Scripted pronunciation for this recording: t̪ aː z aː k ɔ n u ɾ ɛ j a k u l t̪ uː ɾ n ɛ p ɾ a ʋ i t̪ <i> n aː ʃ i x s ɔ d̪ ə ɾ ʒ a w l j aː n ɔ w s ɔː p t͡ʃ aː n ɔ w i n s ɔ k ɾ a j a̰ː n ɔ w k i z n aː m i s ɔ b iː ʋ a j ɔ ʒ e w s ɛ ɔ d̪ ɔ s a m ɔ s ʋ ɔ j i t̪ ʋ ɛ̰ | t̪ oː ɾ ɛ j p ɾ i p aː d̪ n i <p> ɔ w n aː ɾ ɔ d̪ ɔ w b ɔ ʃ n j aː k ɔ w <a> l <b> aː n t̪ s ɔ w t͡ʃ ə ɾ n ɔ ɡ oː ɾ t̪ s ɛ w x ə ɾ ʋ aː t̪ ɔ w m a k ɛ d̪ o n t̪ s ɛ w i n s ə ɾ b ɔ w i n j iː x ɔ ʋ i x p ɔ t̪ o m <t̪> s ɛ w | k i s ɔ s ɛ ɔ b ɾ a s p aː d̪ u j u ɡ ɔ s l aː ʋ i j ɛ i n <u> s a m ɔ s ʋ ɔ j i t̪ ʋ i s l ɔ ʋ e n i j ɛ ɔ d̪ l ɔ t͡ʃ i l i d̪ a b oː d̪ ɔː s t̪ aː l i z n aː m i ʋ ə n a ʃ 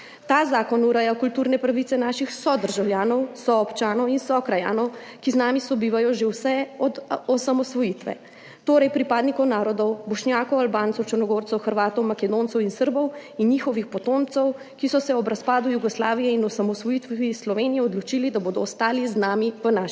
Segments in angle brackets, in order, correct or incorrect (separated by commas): incorrect, incorrect, correct, correct, correct, incorrect